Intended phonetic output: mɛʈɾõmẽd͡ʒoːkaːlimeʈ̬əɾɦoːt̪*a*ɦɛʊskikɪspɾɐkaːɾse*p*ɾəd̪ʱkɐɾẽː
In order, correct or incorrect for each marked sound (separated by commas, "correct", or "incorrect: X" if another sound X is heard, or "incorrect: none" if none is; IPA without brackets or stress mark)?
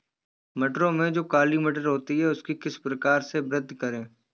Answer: incorrect: i, incorrect: b